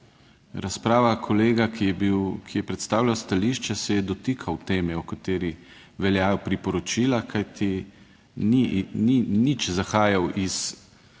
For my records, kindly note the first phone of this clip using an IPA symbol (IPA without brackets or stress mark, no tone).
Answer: ɾ